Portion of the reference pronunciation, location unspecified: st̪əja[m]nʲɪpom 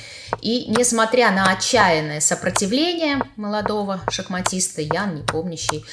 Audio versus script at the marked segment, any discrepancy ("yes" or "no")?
yes